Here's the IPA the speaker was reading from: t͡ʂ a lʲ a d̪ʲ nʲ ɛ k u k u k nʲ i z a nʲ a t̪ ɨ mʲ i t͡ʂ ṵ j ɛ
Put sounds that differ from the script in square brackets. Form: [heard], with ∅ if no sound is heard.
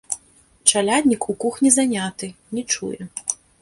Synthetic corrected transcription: t͡ʂ a lʲ a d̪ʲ nʲ [i] k u k u [x] nʲ i z a nʲ a t̪ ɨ [nʲ] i t͡ʂ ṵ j ɛ